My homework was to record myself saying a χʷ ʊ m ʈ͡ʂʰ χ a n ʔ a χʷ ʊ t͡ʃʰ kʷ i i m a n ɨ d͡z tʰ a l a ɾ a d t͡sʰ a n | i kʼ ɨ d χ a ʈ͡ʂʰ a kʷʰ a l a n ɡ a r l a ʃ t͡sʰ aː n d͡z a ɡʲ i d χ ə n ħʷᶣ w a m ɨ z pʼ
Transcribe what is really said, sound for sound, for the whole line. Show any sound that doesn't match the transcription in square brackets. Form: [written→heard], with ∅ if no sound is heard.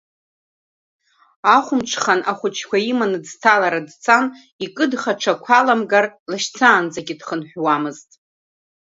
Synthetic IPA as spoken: a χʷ ʊ m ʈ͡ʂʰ χ a n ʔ a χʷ ʊ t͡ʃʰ kʷ [i→a] i m a n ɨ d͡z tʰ a l a ɾ a d t͡sʰ a n | i kʼ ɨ d χ a ʈ͡ʂʰ a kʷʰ a l a [n→m] ɡ a r l a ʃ t͡sʰ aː n d͡z a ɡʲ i d χ ə n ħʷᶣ w a m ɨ z [pʼ→tʼ]